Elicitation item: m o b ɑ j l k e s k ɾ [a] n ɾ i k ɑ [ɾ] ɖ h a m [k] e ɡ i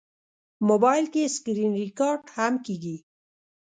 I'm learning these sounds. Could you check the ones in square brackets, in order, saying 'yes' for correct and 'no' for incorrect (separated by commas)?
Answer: no, yes, yes